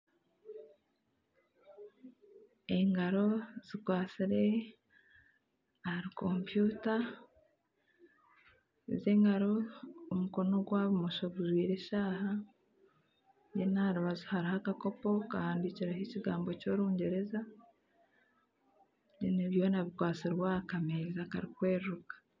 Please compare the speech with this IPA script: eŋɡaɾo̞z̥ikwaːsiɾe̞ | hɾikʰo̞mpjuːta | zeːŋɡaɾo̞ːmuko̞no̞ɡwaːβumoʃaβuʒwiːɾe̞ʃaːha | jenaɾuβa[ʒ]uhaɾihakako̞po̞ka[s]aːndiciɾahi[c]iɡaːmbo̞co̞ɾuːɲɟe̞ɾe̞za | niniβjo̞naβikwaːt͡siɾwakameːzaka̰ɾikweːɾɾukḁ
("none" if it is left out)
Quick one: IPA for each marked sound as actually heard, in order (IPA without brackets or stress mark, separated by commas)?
z, h, c